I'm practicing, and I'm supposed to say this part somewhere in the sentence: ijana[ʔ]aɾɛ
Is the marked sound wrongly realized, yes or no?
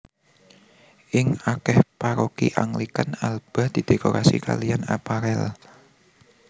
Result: yes